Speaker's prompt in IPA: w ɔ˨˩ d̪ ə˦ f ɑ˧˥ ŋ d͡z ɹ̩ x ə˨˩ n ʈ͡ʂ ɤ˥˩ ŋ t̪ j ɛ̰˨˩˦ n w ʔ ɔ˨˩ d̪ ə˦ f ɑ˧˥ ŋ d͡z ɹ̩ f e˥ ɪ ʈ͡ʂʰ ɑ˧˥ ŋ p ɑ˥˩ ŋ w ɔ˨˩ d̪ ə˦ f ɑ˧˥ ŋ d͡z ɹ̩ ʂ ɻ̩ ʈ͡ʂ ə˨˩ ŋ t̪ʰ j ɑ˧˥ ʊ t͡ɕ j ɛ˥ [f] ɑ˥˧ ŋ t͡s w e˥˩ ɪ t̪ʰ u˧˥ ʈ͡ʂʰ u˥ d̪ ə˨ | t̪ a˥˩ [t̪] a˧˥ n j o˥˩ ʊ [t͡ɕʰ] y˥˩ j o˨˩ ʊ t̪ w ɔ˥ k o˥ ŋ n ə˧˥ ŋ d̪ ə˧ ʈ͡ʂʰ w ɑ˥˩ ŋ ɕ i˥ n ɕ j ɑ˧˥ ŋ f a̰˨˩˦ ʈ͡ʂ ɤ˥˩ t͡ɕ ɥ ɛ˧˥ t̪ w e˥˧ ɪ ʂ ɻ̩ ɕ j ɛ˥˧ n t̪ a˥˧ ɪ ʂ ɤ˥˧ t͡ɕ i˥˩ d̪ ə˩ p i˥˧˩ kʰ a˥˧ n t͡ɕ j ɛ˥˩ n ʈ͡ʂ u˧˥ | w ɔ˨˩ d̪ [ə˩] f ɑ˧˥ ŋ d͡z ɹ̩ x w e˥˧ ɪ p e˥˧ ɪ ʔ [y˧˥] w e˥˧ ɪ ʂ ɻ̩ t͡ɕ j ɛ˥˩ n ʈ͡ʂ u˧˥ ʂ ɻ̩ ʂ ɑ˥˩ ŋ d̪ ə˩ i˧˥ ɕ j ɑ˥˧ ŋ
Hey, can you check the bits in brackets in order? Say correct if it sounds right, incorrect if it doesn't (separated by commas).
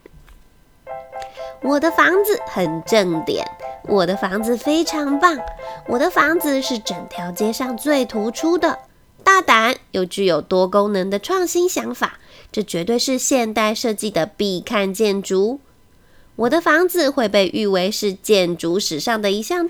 incorrect, correct, incorrect, incorrect, incorrect